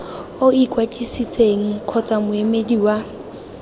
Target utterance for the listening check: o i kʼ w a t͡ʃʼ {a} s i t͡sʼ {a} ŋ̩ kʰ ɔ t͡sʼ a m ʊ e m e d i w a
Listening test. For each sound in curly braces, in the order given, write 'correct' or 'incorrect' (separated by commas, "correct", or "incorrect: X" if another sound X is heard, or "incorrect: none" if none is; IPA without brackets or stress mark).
incorrect: i, incorrect: e